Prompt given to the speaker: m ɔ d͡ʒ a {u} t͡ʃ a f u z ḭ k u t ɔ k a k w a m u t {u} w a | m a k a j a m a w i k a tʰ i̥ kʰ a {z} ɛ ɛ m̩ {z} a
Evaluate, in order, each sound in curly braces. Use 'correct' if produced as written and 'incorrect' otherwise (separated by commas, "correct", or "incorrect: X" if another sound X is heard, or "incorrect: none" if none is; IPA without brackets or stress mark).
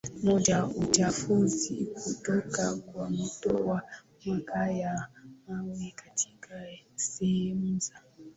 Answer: correct, incorrect: ɔ, incorrect: s, correct